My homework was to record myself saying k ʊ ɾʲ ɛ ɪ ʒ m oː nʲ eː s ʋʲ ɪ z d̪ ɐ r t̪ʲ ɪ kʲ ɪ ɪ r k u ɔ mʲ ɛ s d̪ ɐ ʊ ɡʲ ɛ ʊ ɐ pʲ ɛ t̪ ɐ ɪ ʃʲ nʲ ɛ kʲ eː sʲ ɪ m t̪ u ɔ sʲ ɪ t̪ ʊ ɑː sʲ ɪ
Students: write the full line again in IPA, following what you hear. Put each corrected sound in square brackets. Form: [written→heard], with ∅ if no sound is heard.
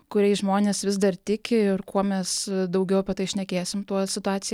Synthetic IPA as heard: k ʊ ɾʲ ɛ ɪ ʒ m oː nʲ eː s ʋʲ ɪ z d̪ ɐ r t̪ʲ ɪ kʲ ɪ ɪ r k u ɔ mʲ ɛ s d̪ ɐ ʊ ɡʲ ɛ ʊ ɐ pʲ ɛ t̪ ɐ ɪ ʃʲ nʲ ɛ kʲ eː sʲ ɪ m t̪ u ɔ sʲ ɪ t̪ ʊ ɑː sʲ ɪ